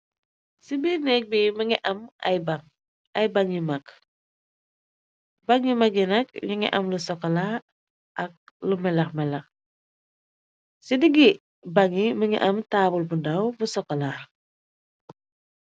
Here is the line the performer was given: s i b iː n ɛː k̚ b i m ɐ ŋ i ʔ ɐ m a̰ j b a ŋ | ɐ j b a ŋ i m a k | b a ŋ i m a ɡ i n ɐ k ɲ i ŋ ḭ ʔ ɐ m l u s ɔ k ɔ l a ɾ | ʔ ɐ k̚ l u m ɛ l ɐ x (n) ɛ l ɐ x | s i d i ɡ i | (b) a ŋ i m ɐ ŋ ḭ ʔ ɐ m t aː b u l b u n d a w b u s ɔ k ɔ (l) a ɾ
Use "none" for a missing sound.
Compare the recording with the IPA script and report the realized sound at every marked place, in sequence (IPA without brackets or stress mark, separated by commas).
m, b, l